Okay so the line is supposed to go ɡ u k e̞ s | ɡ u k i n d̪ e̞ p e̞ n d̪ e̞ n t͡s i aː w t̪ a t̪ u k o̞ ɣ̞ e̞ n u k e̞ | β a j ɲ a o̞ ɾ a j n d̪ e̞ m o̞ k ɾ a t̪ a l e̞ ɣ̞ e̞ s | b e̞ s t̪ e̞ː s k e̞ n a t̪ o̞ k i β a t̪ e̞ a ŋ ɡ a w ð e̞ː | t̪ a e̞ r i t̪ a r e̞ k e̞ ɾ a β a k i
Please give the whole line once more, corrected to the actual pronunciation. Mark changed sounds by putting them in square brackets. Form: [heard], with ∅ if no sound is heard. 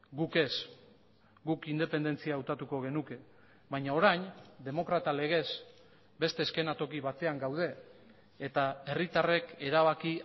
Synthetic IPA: ɡ u k e̞ s | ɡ u k i n d̪ e̞ p e̞ n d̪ e̞ n t͡s i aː w t̪ a t̪ u k o̞ ɣ̞ e̞ n u k e̞ | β a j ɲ a o̞ ɾ a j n d̪ e̞ m o̞ k ɾ a t̪ a l e̞ ɣ̞ e̞ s | b e̞ s t̪ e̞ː s k e̞ n a t̪ o̞ k i β a t̪ e̞ a ŋ ɡ a w ð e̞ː | t̪ a e̞ r i t̪ a r e̞ k e̞ ɾ a β a k i